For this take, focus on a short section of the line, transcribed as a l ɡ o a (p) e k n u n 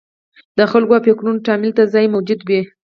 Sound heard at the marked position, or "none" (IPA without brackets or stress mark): p